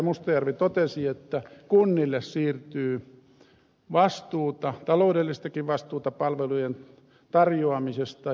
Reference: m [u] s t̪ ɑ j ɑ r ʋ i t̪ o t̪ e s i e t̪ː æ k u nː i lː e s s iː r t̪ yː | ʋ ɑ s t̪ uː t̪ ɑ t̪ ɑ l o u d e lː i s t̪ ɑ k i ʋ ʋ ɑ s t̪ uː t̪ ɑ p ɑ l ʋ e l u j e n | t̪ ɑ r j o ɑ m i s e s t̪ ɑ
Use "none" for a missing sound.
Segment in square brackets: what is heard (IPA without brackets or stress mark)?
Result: u